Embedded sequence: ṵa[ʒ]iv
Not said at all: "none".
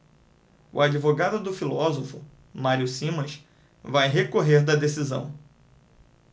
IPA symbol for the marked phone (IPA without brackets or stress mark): d͡ʒ